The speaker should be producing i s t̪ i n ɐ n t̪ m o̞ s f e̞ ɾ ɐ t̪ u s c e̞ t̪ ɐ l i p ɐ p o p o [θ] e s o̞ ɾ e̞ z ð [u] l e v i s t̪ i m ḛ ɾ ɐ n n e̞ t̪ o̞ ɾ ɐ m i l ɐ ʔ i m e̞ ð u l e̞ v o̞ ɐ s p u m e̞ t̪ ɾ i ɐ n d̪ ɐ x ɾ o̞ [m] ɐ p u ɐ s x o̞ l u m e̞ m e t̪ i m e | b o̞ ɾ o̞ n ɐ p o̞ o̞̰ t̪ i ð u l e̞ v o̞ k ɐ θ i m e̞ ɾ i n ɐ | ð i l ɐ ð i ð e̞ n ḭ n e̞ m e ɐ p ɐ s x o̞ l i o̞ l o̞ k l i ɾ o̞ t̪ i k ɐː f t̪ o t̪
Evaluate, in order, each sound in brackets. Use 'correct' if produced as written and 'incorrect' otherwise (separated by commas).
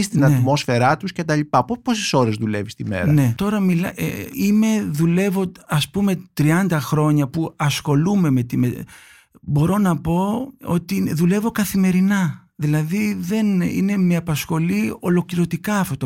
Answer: incorrect, correct, incorrect